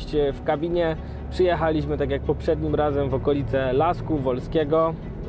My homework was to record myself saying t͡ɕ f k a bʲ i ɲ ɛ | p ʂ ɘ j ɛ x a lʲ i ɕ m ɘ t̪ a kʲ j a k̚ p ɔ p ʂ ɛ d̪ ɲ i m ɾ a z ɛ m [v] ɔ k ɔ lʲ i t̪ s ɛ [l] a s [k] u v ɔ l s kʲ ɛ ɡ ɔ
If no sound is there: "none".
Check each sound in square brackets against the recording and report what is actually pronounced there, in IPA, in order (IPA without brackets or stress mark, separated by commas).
v, l, k